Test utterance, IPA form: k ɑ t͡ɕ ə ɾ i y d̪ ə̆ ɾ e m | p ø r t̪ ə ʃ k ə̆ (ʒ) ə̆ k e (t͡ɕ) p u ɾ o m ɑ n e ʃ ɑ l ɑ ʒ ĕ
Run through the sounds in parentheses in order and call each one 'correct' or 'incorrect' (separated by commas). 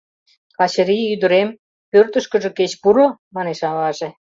correct, correct